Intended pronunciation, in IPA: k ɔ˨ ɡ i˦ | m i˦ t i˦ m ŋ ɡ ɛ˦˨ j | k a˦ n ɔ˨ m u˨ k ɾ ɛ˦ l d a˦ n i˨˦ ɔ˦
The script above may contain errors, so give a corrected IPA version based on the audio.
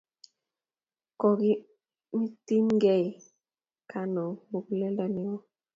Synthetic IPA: k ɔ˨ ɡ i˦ | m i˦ t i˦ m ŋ ɡ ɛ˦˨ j | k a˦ n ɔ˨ m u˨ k l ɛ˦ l d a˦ n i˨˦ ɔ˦